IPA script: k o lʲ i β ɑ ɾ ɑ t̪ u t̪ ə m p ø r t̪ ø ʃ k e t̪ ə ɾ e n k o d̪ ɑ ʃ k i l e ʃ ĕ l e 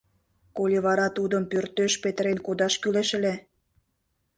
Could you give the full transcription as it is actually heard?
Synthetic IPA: k o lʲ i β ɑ ɾ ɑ t̪ u d̪ ə m p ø r t̪ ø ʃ p e t̪ ə ɾ e n k o d̪ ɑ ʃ k y l e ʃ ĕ l e